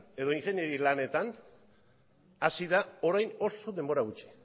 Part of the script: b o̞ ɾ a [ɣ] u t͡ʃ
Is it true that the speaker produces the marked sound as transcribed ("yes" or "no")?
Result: yes